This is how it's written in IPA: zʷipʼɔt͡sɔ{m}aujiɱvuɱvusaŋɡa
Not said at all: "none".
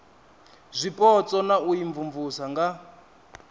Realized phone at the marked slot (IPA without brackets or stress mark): n